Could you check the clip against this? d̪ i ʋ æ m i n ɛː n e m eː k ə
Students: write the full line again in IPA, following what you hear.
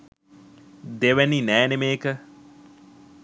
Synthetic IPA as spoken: d̪ e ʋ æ n i n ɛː n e m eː k ə